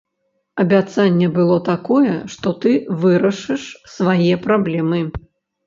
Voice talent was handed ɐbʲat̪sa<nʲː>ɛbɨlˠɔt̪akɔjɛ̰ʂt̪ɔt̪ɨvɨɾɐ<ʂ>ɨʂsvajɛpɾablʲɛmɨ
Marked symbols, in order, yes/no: yes, yes

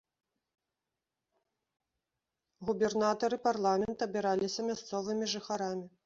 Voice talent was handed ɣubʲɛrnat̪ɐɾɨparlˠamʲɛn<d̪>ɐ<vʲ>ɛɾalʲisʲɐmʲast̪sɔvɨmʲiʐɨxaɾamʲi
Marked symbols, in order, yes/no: no, no

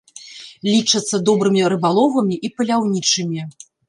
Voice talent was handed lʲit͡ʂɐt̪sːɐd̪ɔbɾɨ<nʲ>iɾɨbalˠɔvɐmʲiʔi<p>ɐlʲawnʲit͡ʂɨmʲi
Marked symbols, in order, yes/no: no, yes

